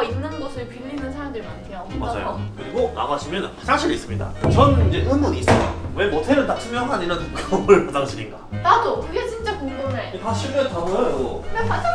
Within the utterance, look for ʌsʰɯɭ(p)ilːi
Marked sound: correct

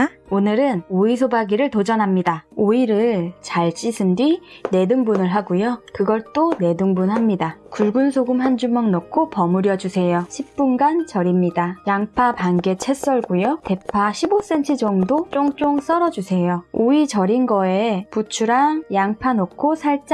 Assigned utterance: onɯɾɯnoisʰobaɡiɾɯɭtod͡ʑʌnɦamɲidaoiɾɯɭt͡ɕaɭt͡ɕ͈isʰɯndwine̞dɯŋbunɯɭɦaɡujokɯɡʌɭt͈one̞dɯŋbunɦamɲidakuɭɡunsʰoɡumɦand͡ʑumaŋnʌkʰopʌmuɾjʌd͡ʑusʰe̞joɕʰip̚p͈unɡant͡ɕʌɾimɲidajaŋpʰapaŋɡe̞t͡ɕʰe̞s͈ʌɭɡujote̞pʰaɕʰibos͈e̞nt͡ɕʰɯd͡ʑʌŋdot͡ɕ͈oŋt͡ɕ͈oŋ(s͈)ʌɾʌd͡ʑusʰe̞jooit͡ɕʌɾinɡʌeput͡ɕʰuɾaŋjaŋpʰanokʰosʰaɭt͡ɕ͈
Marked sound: correct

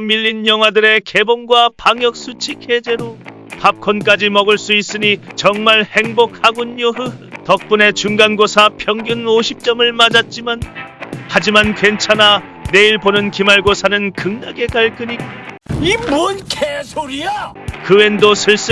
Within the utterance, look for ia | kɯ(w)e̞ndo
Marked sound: correct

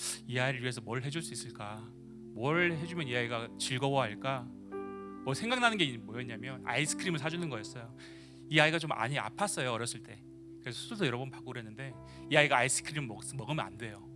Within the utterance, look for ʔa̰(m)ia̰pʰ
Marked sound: incorrect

